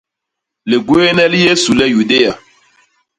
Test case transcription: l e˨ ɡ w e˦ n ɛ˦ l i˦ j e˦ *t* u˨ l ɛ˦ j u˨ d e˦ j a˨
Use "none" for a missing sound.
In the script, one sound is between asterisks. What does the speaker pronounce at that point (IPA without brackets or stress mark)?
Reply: s